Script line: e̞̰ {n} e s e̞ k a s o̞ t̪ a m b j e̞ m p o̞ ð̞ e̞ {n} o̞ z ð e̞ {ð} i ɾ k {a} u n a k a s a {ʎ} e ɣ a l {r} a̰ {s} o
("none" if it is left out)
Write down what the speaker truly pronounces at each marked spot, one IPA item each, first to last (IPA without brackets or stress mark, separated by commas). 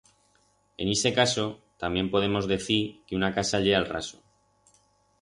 n, m, θ, e, ʎ, r, s